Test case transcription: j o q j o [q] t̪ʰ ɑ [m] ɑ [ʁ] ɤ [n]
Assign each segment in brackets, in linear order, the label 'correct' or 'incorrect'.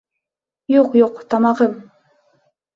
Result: correct, correct, correct, incorrect: m

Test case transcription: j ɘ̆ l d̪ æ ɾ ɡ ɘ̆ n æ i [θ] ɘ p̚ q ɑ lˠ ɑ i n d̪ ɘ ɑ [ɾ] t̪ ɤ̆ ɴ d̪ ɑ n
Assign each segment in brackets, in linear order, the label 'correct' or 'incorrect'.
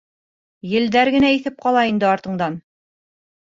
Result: correct, correct

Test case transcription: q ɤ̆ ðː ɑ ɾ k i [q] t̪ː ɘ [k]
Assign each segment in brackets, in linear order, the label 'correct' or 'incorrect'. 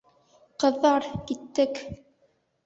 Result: incorrect: none, correct

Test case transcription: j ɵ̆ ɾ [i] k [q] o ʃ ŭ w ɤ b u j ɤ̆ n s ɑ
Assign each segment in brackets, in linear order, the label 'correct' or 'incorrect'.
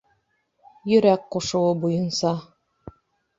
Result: incorrect: æ, correct

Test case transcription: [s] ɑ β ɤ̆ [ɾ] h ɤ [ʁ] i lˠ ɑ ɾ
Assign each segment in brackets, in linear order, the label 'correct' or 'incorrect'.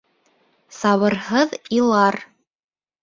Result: correct, correct, incorrect: ð

